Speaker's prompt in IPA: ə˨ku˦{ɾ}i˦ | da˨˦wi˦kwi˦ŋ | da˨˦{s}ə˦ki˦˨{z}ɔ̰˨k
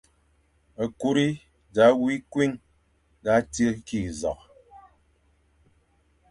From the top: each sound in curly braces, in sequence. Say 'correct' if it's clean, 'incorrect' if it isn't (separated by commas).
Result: correct, incorrect, correct